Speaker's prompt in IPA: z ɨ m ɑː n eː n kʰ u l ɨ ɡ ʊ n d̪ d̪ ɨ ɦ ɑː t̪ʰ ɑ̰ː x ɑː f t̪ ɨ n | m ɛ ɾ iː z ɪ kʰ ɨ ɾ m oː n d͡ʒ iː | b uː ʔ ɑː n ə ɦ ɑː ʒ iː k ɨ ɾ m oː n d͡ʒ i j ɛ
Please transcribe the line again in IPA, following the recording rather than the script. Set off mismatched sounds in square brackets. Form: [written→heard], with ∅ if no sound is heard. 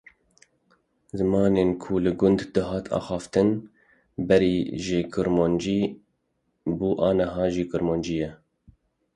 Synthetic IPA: z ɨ m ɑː n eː n kʰ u l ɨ ɡ ʊ n d̪ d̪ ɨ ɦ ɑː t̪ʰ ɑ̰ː x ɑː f t̪ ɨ n | [m→b] ɛ ɾ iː [z→ʒ] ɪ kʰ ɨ ɾ m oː n d͡ʒ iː | b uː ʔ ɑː n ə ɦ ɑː ʒ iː k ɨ ɾ m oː n d͡ʒ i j ɛ